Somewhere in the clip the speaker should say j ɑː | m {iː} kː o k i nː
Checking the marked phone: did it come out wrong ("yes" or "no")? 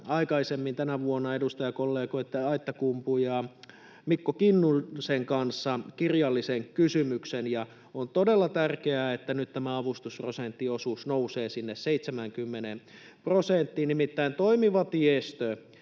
yes